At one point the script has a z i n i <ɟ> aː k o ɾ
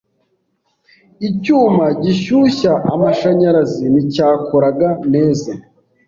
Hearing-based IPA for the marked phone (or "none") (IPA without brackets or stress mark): c